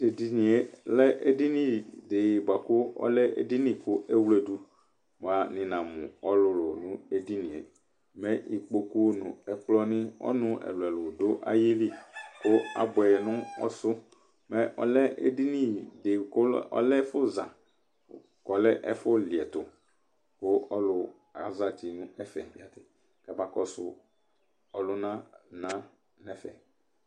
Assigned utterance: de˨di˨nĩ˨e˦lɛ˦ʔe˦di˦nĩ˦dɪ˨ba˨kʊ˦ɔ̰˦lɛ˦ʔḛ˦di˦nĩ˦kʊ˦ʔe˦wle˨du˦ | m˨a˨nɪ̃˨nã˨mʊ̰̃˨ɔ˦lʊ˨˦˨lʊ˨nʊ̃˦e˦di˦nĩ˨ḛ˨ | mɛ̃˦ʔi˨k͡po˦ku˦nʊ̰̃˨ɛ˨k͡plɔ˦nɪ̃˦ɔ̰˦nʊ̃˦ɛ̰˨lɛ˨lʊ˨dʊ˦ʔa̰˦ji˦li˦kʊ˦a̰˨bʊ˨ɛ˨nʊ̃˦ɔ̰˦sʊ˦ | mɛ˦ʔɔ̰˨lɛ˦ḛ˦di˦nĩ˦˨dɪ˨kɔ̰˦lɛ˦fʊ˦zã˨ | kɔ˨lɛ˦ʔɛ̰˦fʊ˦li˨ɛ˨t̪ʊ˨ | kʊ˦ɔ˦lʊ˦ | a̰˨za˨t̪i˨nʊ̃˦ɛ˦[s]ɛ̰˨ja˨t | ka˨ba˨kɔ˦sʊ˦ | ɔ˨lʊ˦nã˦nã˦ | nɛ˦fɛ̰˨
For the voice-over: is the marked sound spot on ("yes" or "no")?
no